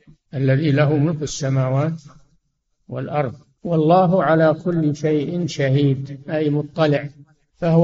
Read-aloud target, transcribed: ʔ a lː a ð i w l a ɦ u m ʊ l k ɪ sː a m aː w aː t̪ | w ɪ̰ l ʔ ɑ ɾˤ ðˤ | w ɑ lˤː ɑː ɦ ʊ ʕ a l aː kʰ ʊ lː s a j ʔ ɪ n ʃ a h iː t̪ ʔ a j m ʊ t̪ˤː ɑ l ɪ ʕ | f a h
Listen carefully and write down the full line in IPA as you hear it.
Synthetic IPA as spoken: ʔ a lː a ð i l a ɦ u m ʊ l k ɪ sː a m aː w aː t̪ | w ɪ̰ l ʔ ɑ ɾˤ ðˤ | w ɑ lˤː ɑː ɦ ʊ ʕ a l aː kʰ ʊ lː ʃ a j ʔ ɪ n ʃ a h iː d̪ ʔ a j m ʊ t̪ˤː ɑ l ɪ ʕ | f a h